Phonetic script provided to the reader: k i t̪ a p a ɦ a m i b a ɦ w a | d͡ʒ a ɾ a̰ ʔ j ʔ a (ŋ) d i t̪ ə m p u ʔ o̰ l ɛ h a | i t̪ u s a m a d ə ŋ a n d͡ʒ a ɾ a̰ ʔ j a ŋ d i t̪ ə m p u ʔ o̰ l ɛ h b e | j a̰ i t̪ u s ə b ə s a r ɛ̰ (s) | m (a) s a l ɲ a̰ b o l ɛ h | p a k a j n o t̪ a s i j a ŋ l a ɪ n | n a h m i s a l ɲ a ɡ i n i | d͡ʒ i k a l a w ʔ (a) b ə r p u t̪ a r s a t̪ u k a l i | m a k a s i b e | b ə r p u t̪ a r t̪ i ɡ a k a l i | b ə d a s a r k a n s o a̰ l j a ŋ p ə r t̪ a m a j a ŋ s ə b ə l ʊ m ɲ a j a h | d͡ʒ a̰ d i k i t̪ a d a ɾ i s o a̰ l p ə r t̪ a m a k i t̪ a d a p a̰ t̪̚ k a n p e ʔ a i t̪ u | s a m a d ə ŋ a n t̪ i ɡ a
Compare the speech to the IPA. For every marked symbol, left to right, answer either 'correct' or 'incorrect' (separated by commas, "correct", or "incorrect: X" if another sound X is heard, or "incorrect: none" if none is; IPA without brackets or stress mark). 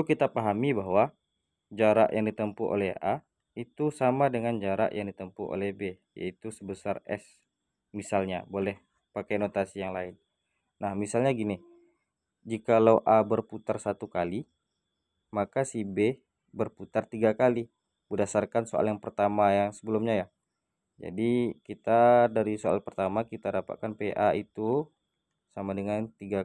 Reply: correct, correct, incorrect: i, correct